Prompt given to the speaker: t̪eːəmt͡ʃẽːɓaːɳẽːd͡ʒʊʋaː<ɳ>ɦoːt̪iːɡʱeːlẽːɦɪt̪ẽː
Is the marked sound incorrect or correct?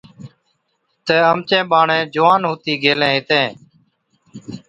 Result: incorrect